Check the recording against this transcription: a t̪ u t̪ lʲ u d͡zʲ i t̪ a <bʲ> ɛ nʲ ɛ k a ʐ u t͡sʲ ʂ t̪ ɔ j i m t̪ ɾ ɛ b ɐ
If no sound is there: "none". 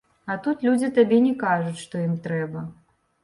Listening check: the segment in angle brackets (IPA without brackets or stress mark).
bʲ